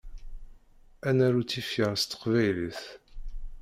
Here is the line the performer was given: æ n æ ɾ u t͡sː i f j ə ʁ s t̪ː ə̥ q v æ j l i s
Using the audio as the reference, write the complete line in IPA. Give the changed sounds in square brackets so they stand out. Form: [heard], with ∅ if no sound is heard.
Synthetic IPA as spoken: æ n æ ɾ u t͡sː i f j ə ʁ s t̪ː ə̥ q v æ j l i [θ]